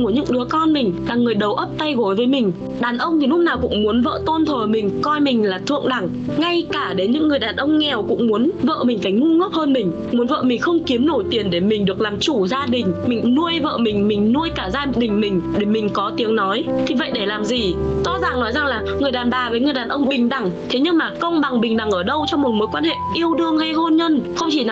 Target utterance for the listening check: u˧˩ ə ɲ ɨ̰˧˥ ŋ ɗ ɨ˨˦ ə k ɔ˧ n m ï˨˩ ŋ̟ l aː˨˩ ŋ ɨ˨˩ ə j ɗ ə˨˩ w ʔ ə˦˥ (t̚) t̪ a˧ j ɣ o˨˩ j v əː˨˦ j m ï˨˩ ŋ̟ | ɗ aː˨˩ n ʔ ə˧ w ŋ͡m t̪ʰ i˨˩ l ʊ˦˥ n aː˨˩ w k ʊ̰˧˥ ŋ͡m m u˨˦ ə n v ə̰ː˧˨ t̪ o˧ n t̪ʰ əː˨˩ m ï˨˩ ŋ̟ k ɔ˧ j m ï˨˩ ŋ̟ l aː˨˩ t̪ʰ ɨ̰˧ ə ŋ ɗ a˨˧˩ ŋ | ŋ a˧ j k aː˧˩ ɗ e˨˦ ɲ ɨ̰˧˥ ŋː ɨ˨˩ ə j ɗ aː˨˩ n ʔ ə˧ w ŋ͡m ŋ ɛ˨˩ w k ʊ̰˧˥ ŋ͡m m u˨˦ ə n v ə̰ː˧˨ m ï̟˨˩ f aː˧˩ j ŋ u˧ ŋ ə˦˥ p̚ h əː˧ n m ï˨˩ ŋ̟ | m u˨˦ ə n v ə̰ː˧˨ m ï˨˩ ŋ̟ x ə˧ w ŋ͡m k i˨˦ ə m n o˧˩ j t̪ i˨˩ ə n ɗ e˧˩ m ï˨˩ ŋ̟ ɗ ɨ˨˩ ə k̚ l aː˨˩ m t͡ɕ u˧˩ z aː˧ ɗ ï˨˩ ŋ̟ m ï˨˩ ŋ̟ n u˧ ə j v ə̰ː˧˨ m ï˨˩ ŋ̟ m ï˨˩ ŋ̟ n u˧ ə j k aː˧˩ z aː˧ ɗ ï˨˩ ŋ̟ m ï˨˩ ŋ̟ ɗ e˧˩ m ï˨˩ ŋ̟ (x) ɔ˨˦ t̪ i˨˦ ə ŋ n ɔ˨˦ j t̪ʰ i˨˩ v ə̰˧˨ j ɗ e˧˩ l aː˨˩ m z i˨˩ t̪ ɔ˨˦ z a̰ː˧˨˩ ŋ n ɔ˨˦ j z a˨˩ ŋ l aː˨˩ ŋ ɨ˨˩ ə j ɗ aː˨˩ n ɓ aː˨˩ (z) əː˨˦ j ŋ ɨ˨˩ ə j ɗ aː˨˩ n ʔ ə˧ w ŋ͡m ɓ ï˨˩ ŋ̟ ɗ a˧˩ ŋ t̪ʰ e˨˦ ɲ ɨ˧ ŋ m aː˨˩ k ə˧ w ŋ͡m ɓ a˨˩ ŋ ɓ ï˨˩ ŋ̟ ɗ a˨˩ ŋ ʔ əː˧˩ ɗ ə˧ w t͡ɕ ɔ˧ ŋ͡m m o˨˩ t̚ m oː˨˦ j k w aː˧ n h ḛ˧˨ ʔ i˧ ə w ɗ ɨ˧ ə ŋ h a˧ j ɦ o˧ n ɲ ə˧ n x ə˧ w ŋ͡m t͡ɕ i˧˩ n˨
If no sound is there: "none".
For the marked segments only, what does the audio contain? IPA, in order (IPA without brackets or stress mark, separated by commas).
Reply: p̚, k, v